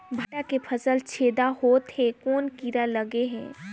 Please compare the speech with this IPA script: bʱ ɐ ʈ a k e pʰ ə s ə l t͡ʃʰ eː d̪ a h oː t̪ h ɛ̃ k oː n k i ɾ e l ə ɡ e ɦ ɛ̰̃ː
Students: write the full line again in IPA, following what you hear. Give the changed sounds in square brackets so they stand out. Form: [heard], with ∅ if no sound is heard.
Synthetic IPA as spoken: bʱ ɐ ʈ a k e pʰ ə s ə l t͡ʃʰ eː d̪ a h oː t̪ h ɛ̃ k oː n k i ɾ [a] l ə ɡ e ɦ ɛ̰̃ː